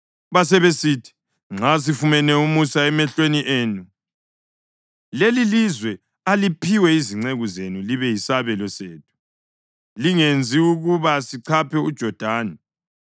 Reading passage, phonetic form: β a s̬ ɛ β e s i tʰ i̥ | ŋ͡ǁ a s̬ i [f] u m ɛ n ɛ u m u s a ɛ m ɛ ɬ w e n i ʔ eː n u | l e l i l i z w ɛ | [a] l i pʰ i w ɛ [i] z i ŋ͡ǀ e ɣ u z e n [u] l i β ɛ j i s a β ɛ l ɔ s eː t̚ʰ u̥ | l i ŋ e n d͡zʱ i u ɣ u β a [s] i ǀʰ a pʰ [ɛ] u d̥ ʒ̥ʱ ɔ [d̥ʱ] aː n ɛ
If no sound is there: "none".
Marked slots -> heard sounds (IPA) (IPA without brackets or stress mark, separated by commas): f, a, i, u, s, ɛ, d̥ʱ